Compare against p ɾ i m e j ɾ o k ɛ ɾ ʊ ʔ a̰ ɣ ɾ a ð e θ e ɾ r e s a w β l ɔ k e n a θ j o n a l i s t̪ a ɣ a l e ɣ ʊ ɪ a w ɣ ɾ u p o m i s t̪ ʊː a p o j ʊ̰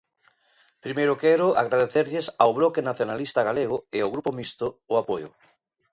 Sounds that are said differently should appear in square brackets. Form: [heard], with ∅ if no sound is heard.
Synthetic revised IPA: p ɾ i m e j ɾ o k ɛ ɾ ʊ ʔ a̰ ɣ ɾ a ð e θ e ɾ [ʎ] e s a w β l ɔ k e n a θ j o n a l i s t̪ a ɣ a l e ɣ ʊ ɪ a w ɣ ɾ u p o m i s t̪ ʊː a p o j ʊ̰